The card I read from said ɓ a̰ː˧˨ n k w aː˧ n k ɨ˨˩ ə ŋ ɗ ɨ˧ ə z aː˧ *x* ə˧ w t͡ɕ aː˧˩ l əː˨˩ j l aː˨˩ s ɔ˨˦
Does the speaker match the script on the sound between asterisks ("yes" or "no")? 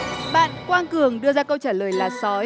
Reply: no